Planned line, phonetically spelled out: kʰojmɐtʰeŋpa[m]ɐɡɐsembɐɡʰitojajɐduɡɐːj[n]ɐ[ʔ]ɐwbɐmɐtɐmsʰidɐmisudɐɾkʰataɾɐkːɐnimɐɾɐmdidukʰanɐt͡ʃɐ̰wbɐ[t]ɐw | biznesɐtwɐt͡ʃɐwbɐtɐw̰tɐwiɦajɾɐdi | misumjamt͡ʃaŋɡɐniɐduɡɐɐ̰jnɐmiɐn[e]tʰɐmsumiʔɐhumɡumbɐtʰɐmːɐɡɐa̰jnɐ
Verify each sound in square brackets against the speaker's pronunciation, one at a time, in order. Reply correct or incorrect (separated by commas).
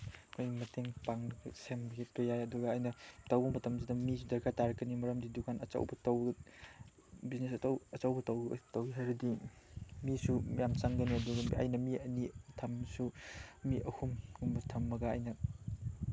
incorrect, correct, incorrect, correct, incorrect